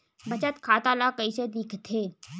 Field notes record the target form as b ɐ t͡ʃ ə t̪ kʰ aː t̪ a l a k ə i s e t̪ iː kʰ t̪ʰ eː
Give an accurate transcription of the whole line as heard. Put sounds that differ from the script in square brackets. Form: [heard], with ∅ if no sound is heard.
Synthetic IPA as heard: b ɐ t͡ʃ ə t̪ kʰ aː t̪ a l a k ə i s e [d̪] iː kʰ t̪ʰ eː